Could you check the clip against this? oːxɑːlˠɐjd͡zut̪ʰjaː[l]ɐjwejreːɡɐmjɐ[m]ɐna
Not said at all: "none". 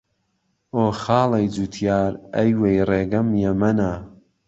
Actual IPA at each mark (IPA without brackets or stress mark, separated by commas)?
ɾ, m